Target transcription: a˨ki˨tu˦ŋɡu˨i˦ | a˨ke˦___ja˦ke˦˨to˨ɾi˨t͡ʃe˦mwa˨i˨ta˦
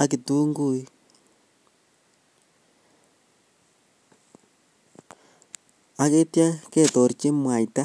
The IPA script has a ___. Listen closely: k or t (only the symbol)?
t